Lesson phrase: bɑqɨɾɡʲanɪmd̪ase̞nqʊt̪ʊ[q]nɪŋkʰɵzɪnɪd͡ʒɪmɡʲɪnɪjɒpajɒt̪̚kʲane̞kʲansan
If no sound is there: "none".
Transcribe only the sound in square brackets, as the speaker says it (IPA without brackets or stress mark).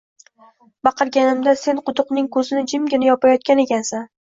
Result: q